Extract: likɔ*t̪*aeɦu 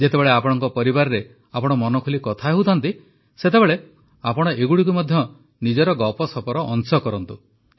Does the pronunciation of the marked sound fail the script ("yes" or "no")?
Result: yes